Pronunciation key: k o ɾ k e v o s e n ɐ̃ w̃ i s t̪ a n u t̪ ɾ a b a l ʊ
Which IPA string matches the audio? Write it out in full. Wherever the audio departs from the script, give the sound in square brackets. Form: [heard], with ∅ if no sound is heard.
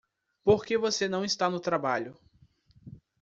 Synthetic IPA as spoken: [p] o ɾ k e v o s e n ɐ̃ w̃ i s t̪ a n [ʊ] t̪ ɾ a b a [ʎ] ʊ

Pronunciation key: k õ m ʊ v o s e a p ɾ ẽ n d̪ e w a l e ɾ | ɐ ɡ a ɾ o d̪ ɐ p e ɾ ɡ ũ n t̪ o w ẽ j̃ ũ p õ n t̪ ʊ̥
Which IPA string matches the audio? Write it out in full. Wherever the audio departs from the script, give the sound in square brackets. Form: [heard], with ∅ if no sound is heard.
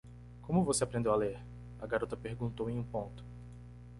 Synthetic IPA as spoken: k õ m ʊ v o s e a p ɾ ẽ n d̪ e w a l e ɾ | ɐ ɡ a ɾ o [t̪] ɐ p e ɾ ɡ ũ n t̪ o w ẽ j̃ ũ p õ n t̪ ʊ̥

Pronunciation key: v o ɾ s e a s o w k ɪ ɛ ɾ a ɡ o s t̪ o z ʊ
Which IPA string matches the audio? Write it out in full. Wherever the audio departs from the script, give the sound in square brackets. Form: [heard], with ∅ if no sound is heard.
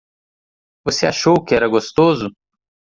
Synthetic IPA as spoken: v o [∅] s e a [ʃ] o w k ɪ ɛ ɾ [ɐ] ɡ o s t̪ o z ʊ

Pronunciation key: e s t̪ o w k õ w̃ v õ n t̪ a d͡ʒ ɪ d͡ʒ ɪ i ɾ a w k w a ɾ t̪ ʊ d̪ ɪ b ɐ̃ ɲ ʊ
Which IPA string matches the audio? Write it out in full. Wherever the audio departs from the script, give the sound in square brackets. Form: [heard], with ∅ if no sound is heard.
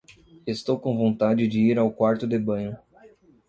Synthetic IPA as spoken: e s t̪ o w k õ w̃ v õ n t̪ a d͡ʒ ɪ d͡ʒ ɪ i ɾ a w k w a ɾ t̪ ʊ d̪ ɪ b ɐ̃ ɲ ʊ

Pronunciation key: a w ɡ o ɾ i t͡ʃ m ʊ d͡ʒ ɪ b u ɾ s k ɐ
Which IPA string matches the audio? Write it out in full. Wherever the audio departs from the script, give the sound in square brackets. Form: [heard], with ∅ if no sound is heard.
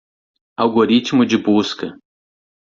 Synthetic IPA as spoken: a w ɡ o ɾ i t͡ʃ m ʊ d͡ʒ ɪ b u [∅] s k ɐ

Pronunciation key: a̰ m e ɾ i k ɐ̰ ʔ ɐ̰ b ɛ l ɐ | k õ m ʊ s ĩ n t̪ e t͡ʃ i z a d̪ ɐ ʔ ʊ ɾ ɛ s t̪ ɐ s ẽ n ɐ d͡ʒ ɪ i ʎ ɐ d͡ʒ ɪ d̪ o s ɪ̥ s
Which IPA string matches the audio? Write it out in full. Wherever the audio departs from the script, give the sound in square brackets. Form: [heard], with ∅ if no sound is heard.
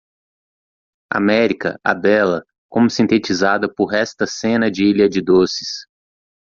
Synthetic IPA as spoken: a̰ m [ɛ] ɾ i k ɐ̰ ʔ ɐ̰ b ɛ l ɐ | k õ m ʊ s ĩ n t̪ e t͡ʃ i z a d̪ ɐ [p] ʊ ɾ ɛ s t̪ ɐ s ẽ n ɐ d͡ʒ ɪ i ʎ ɐ d͡ʒ ɪ d̪ o s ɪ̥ s

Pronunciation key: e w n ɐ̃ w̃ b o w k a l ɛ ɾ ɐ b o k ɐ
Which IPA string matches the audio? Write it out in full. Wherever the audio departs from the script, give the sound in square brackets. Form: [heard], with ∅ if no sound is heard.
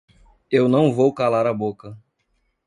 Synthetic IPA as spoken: e w n ɐ̃ w̃ [v] o w k a l [a] ɾ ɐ b o k ɐ

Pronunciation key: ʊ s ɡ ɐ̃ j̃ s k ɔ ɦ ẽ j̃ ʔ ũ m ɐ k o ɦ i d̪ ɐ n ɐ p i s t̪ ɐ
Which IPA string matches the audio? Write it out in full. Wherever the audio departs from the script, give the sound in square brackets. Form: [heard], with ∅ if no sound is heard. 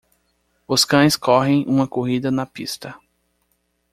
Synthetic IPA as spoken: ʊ s [k] ɐ̃ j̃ s k ɔ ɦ ẽ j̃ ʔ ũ m ɐ k o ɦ i d̪ ɐ n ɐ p i s t̪ ɐ

